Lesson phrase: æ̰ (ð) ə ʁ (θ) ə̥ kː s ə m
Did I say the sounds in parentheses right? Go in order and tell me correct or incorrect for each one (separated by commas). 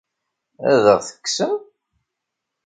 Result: correct, correct